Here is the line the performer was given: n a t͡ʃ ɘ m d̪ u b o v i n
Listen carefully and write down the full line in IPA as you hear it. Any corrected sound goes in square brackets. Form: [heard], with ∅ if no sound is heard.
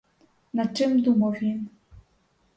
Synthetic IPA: n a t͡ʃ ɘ m d̪ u [m] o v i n